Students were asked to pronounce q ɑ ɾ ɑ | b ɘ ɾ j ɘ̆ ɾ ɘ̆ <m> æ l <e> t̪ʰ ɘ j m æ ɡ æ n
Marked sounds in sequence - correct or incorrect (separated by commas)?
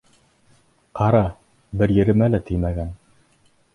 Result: correct, incorrect